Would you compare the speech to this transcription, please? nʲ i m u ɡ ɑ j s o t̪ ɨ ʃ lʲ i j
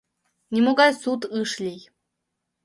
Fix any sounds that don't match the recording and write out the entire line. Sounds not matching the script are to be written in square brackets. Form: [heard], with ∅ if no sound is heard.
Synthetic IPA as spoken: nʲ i m [o] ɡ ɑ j s [u] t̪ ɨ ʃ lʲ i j